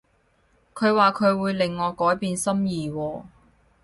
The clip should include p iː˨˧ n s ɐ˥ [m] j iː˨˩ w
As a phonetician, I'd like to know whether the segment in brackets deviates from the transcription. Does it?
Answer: no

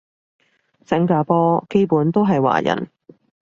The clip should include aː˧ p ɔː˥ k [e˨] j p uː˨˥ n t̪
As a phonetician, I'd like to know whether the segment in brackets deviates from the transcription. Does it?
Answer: yes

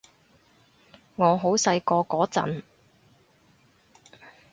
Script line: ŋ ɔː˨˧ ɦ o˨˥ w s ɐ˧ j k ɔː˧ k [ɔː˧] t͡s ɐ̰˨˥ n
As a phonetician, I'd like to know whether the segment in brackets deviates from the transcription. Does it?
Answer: yes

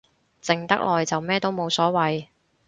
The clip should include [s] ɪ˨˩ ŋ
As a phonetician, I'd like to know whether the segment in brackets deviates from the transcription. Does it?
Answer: yes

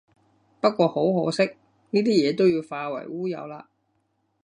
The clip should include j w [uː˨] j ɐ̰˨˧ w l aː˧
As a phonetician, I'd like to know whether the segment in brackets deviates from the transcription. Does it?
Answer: yes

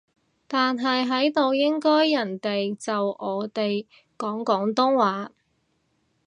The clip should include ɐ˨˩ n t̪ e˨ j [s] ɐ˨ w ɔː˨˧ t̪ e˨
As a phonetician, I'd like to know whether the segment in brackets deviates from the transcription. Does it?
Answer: yes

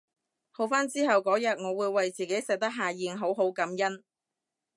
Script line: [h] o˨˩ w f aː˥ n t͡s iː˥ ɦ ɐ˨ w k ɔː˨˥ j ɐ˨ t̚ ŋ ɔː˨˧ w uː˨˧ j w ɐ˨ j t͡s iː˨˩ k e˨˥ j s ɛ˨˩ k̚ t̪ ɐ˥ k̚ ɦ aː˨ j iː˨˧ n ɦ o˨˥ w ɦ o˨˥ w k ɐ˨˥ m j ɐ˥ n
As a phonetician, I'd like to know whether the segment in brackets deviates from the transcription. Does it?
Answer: no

